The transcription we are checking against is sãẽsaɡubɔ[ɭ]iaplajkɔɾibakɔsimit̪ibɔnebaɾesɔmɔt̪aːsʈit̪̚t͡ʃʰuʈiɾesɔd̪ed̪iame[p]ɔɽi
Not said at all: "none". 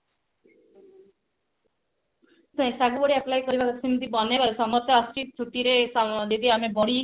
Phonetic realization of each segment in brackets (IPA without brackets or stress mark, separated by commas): ɽ, b